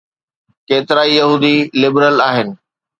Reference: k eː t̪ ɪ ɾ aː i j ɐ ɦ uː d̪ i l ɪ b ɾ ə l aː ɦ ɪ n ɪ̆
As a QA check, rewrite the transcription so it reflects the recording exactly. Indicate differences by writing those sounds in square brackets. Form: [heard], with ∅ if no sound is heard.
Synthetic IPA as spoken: k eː t̪ ɪ ɾ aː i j ɐ ɦ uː d̪ i l ɪ b ɾ ə l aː ɦ ɪ n ɪ̆